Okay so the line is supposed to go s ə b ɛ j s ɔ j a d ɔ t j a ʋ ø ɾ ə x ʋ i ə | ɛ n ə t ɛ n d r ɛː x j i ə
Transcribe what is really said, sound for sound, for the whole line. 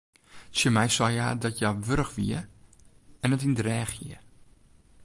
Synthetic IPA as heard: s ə m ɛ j s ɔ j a d ɔ t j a ʋ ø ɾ ə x ʋ i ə | ɛ n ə t i n d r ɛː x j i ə